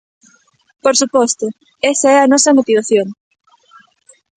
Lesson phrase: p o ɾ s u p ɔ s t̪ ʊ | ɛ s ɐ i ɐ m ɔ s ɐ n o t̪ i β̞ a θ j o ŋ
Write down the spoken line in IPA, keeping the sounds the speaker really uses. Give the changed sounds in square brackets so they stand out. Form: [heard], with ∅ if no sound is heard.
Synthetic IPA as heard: p o ɾ s u p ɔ s t̪ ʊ | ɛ s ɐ [ɛ] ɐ [n] ɔ s ɐ [m] o t̪ i β̞ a θ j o ŋ